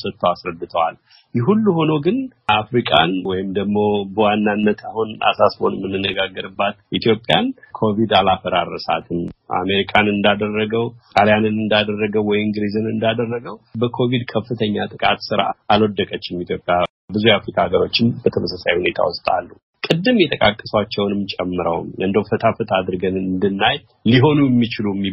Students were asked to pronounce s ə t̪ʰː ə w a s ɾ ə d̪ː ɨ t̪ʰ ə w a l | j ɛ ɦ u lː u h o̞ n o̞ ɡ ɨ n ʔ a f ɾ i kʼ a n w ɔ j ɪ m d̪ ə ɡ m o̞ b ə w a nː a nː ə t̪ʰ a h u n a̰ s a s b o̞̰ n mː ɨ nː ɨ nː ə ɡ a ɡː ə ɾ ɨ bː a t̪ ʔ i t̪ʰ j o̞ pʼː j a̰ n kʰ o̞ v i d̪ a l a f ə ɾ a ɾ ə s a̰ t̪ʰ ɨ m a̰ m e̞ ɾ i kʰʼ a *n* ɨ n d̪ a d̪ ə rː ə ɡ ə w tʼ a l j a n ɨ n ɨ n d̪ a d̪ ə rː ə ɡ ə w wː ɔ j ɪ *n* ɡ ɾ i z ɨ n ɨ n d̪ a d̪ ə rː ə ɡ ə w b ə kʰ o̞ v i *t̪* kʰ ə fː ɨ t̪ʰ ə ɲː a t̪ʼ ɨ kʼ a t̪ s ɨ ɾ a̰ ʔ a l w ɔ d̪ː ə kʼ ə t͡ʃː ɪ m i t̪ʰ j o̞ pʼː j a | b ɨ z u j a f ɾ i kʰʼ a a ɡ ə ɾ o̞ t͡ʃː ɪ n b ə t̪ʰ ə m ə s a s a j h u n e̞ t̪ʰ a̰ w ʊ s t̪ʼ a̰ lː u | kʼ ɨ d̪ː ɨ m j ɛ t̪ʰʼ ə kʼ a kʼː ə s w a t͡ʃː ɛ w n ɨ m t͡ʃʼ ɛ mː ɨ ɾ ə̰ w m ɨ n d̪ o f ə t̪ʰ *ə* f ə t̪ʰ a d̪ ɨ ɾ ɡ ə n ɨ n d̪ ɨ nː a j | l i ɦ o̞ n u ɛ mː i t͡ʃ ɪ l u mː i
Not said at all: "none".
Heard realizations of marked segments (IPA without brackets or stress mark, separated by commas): n, ŋ, d̪, a